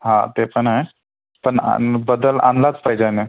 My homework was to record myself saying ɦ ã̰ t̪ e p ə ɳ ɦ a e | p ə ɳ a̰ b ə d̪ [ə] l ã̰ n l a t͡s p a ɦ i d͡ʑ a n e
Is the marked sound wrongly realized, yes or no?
no